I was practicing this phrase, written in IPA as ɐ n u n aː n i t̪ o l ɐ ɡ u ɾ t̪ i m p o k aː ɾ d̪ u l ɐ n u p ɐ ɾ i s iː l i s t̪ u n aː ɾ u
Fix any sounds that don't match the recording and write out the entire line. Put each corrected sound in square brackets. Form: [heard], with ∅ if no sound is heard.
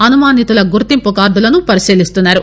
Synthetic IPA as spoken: ɐ n u [m] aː n i t̪ [u] l ɐ ɡ u ɾ t̪ i m p [u] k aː ɾ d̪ u l ɐ n u p ɐ ɾ i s iː l i s t̪ u [nː] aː ɾ u